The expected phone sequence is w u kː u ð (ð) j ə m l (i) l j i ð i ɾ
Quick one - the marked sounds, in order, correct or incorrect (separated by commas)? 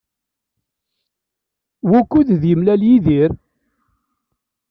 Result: correct, incorrect